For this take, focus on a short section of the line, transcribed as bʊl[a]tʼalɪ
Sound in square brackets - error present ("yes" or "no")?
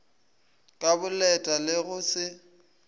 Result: yes